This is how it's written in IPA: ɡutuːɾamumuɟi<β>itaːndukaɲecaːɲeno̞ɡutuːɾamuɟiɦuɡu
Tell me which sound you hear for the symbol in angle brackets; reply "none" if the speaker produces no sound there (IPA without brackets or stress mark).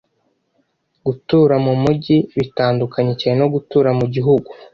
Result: β